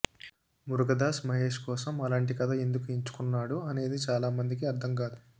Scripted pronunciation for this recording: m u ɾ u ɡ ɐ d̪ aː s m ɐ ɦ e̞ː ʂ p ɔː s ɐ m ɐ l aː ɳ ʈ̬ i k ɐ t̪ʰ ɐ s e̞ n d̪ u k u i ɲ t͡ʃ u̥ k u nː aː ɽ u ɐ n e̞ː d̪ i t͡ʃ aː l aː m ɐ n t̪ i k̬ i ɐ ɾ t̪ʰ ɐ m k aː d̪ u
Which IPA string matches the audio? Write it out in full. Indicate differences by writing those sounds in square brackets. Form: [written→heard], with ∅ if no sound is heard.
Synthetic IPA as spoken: m u ɾ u ɡ ɐ d̪ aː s m ɐ ɦ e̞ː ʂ [p→k] ɔː s ɐ m ɐ l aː ɳ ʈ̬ i k ɐ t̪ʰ ɐ [s→∅] e̞ n d̪ u k u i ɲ t͡ʃ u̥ k u nː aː ɽ u ɐ n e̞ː d̪ i t͡ʃ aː l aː m ɐ n [t̪→d̪] i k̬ i ɐ ɾ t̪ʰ ɐ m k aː d̪ u